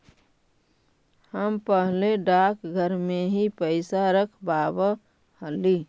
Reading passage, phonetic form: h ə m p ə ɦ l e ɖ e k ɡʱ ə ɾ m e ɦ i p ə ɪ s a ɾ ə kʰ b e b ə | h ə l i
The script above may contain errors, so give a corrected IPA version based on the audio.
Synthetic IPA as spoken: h ə m p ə ɦ l e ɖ a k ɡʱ ə ɾ m e ɦ i p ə ɪ s a ɾ ə kʰ b a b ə | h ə l i

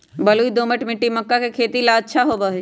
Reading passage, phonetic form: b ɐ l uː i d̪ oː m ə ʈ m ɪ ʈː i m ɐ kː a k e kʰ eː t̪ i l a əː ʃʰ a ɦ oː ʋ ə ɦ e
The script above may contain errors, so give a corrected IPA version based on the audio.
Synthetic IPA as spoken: b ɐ l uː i d̪ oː m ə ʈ m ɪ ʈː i m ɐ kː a k e kʰ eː t̪ i l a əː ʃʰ a ɦ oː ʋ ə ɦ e

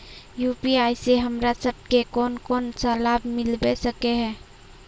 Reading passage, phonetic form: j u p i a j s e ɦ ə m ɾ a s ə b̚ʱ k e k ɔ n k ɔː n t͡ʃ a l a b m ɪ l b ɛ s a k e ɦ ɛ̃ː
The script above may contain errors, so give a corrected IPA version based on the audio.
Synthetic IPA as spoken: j u p i a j s e ɦ ə m ɾ a s ə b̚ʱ k e k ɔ n k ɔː n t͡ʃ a l a b m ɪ l b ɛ s ə k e ɦ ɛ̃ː

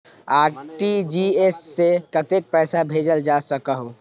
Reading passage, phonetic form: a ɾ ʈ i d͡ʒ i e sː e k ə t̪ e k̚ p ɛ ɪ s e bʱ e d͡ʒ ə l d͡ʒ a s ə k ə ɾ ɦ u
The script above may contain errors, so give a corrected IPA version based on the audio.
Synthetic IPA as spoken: a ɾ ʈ i d͡ʒ i e sː e k ə t̪ e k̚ p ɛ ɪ s a bʱ e d͡ʒ ə l d͡ʒ a s ə k ə ɦ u

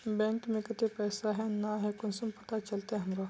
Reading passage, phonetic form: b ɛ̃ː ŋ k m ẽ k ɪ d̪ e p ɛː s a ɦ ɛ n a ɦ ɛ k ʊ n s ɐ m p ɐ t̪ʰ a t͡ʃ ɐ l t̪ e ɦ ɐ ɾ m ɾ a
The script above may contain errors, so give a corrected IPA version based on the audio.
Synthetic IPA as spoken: b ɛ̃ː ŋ k m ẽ k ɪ t̪ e p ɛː s a ɦ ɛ n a ɦ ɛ k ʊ n s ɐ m p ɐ t̪ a t͡ʃ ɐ l t̪ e ɦ ɐ m ɾ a

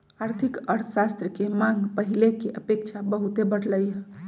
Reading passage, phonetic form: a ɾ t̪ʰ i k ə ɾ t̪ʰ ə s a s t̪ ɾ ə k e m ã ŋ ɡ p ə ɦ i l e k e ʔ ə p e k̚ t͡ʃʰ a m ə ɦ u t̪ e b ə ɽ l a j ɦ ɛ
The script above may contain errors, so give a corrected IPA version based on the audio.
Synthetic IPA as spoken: a ɾ t̪ʰ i k ə ɾ t̪ʰ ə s a s t̪ ɾ ə k e m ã ŋ ɡ p ə ɦ i l e k e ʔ ə p e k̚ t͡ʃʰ a b ə ɦ u t̪ e b ə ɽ l ə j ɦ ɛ

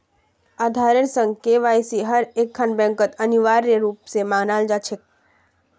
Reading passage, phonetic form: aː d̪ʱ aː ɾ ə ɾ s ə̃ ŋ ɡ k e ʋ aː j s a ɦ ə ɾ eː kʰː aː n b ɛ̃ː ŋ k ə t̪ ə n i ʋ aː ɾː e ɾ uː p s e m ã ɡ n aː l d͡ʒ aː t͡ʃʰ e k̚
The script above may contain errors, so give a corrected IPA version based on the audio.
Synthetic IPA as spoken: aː d̪ʱ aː ɾ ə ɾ s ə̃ ŋ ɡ k e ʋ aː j s i ɦ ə ɾ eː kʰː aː n b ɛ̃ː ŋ k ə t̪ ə n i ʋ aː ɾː e ɾ uː p s e m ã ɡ n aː l d͡ʒ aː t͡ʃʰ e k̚

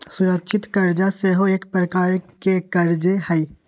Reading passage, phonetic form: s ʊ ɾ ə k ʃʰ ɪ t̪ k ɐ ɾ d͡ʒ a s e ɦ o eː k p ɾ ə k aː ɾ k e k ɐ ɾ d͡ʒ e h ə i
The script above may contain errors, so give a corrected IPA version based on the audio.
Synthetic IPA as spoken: s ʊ ɾ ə k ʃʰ ɪ t̪ k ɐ ɾ d͡ʒ a s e ɦ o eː k p ɾ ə k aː ɾ k e k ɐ ɾ d͡ʒ e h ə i

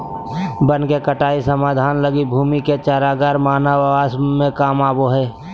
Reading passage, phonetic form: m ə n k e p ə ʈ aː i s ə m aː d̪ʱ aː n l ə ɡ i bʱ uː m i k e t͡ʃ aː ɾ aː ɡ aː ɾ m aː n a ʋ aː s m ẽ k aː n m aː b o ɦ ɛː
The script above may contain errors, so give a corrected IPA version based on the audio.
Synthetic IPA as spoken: b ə n k e k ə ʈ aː i s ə m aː d̪ʱ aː n l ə ɡ i bʱ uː m i k e t͡ʃ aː ɾ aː ɡ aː ɾ m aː n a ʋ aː s m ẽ k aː m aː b o ɦ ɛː

